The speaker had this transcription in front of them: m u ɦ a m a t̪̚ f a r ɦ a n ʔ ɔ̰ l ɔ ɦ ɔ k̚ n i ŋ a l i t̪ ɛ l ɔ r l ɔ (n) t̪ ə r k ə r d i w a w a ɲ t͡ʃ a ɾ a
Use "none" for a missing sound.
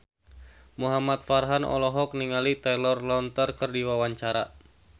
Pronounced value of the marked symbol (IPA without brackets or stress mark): n